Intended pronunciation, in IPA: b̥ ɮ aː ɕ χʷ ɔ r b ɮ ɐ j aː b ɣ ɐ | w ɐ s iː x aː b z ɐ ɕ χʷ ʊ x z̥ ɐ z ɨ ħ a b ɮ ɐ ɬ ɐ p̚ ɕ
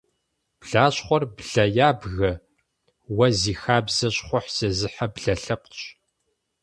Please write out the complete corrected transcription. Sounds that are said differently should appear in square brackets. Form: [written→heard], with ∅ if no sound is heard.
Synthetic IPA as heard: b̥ ɮ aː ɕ χʷ ɔ r b ɮ ɐ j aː b ɣ ɐ | w ɐ [s→z] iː x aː b z ɐ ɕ χʷ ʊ [x→ħ] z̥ ɐ z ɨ ħ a b ɮ ɐ ɬ ɐ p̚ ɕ

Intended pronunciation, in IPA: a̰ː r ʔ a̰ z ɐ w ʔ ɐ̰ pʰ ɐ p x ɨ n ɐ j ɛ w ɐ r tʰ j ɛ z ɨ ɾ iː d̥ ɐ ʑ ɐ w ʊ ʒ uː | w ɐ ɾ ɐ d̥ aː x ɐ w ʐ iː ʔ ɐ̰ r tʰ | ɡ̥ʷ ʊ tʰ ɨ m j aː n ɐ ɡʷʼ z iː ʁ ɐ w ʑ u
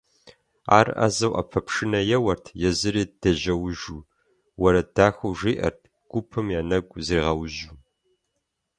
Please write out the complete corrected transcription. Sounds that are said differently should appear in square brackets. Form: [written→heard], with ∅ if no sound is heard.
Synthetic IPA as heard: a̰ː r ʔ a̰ z ɐ w ʔ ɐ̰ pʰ ɐ p [x→ʂ] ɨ n ɐ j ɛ w ɐ r tʰ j ɛ z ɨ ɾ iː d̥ ɐ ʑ ɐ w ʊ ʒ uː | w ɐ ɾ ɐ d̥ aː x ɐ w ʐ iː ʔ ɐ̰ r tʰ | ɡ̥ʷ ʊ [tʰ→pʰ] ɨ m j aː n ɐ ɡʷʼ z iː ʁ ɐ w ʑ u

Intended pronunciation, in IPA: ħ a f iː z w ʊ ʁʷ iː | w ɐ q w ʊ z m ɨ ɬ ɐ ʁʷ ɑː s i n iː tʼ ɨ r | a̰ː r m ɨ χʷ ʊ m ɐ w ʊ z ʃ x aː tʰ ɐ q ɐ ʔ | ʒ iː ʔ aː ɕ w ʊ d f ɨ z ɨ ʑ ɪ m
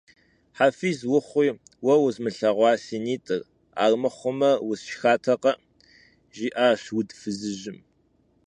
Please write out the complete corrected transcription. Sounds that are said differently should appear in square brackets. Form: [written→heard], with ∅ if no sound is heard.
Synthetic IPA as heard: ħ a f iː z w ʊ [ʁʷ→χʷ] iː | w ɐ [q→∅] w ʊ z m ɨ ɬ ɐ ʁʷ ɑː s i n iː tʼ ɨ r | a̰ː r m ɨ χʷ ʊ m ɐ w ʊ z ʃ x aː tʰ ɐ q ɐ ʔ | ʒ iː ʔ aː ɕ w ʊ d f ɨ z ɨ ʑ ɪ m

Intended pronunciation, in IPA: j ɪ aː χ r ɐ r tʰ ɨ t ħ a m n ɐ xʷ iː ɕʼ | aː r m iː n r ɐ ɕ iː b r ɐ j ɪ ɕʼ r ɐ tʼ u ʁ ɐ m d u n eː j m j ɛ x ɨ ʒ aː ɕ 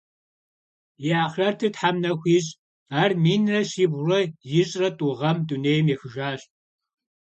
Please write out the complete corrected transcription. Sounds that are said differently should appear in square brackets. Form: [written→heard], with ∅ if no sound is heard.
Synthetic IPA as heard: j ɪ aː χ r ɐ r tʰ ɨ t ħ a m n ɐ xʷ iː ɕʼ | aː r m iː n r ɐ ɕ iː b r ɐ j ɪ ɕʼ r ɐ tʼ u ʁ ɐ m d u n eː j m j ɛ x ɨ ʒ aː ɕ

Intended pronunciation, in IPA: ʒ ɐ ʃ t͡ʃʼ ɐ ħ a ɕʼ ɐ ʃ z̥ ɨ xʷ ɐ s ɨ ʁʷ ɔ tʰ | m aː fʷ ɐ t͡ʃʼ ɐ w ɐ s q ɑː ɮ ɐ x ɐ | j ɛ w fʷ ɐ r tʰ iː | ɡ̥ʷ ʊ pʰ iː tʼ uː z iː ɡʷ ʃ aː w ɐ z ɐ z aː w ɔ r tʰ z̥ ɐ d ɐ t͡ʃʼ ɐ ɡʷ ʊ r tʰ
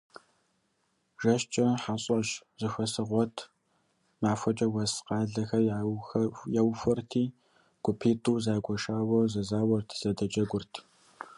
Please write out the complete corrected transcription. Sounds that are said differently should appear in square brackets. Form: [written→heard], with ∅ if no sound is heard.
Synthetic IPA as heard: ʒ ɐ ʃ t͡ʃʼ ɐ ħ a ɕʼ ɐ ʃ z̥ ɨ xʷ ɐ s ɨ ʁʷ ɔ tʰ | m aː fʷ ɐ t͡ʃʼ ɐ w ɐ s q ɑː ɮ ɐ x ɐ | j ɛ w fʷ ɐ r tʰ iː | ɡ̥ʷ ʊ pʰ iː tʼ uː z [iː→aː] ɡʷ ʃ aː w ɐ z ɐ z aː w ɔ r tʰ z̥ ɐ d ɐ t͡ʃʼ ɐ ɡʷ ʊ r tʰ

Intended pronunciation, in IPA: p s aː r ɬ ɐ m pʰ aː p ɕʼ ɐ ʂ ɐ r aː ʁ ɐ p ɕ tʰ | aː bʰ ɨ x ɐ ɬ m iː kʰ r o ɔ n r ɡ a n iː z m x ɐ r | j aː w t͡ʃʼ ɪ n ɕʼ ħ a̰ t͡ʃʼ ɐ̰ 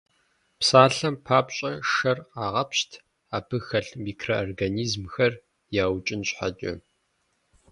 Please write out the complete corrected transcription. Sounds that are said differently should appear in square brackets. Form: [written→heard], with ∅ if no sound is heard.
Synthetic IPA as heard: p s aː [r→∅] ɬ ɐ m pʰ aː p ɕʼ ɐ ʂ ɐ r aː ʁ ɐ p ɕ tʰ | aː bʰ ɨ x ɐ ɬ m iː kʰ r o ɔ [n→∅] r ɡ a n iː z m x ɐ r | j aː w t͡ʃʼ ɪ n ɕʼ ħ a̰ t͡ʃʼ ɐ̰

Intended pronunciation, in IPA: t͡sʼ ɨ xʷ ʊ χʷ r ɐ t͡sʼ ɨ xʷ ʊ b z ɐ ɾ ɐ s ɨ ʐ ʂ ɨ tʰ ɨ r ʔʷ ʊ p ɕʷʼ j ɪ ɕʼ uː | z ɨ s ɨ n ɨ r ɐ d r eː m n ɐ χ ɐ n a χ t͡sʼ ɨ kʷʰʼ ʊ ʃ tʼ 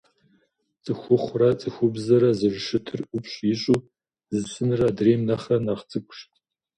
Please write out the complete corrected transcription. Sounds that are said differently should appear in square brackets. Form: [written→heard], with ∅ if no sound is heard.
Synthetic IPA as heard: t͡sʼ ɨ xʷ ʊ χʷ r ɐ t͡sʼ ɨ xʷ ʊ b z ɐ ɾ ɐ [s→z] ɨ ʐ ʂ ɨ tʰ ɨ r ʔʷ ʊ p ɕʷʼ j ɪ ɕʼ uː | z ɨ s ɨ n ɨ r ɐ d r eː m n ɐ χ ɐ n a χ t͡sʼ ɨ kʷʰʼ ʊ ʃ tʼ

